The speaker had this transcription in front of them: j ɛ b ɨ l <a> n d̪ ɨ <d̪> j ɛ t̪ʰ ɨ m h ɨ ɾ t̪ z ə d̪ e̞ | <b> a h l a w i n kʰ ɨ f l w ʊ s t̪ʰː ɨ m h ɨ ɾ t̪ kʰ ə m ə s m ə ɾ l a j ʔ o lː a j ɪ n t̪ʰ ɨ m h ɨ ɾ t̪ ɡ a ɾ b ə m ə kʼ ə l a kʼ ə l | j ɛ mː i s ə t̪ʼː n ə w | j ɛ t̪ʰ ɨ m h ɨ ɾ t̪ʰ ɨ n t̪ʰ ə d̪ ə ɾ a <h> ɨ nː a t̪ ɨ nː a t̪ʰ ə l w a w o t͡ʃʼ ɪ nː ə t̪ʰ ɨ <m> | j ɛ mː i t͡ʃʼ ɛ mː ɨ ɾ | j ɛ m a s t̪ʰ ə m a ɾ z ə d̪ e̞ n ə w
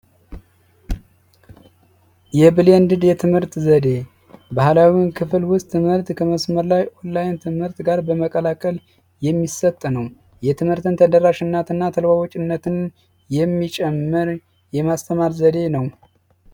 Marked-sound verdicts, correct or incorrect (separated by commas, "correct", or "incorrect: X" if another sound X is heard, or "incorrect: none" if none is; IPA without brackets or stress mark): incorrect: e, correct, correct, incorrect: ʃ, incorrect: n